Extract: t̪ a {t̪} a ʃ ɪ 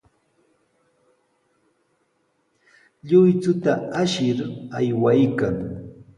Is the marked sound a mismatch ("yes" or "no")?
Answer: yes